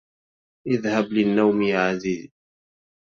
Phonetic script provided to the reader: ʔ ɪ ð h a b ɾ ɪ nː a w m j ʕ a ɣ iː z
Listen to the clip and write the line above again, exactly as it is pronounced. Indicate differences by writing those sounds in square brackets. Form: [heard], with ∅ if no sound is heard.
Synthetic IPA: ʔ ɪ ð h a b [l] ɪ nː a w m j ʕ a [z] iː z